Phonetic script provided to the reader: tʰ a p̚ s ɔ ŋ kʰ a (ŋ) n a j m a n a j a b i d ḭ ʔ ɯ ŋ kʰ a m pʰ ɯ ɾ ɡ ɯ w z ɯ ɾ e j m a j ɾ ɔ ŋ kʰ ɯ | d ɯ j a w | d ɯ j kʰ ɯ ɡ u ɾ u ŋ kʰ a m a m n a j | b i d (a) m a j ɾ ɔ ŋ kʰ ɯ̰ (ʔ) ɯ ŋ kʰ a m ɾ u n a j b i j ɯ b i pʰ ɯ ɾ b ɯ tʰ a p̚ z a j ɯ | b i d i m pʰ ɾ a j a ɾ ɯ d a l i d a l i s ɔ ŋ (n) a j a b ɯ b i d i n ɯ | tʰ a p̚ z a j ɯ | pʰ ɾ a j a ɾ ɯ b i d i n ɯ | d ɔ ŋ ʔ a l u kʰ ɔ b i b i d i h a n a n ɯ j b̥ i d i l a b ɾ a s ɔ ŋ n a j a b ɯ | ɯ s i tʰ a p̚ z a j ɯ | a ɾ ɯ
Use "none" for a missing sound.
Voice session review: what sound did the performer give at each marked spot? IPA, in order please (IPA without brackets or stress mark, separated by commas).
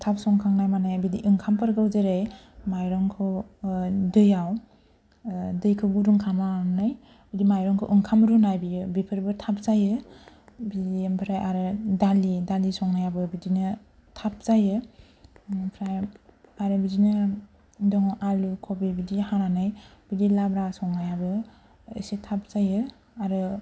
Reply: ŋ, i, ʔ, n